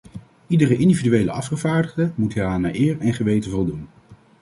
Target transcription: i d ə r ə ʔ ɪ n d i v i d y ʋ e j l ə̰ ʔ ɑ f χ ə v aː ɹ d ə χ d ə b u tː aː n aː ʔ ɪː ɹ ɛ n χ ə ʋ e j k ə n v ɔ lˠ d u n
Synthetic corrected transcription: i d ə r ə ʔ ɪ n d i v i d y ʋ e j l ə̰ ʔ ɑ f χ ə v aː ɹ d ə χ d ə m u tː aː n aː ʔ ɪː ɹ ɛ n χ ə ʋ e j t ə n v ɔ lˠ d u n